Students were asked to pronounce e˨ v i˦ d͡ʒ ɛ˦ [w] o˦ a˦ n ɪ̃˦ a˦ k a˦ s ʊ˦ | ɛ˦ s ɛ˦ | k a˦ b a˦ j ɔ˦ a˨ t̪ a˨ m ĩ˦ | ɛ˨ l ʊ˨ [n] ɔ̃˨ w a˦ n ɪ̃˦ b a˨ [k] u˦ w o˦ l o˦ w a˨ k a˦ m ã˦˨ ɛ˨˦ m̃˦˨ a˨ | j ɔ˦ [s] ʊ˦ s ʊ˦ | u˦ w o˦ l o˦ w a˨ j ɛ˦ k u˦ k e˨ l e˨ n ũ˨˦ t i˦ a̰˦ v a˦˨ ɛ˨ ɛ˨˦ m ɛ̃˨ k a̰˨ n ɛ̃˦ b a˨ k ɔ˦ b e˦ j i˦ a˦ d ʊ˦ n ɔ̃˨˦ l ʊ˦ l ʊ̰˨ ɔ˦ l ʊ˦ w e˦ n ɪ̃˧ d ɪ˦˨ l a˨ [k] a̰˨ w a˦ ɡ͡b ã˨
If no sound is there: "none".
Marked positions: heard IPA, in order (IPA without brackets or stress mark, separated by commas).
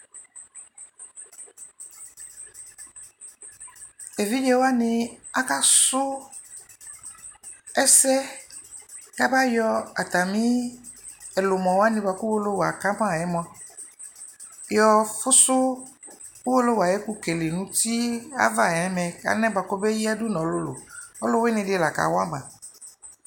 w, m, k, f, k